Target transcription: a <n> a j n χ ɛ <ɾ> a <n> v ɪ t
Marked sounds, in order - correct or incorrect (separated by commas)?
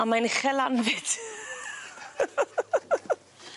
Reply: incorrect, incorrect, correct